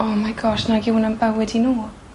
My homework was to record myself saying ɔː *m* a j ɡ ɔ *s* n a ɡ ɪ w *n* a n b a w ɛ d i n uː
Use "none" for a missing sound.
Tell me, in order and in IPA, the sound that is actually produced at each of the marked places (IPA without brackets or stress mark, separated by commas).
m, ʃ, n